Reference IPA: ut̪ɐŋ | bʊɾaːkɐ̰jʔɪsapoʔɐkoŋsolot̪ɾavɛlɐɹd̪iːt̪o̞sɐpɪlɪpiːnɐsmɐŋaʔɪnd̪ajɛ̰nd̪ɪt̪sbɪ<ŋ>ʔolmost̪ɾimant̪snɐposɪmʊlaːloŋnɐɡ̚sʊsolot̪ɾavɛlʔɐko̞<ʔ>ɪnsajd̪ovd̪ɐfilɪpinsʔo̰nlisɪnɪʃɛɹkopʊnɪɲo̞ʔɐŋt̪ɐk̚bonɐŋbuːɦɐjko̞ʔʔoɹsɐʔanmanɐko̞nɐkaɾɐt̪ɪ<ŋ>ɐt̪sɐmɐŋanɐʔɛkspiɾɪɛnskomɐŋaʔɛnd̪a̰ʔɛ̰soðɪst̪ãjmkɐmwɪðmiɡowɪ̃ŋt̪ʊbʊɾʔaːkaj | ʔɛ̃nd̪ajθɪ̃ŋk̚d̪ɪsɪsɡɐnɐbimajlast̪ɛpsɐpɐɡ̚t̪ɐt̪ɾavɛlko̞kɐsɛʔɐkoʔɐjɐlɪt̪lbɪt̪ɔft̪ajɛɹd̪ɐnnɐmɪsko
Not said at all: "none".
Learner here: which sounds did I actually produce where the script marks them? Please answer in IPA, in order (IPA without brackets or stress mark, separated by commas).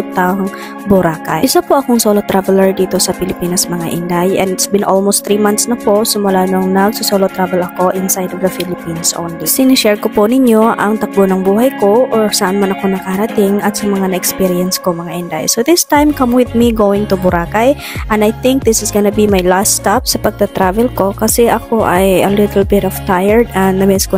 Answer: n, ʔ, ŋ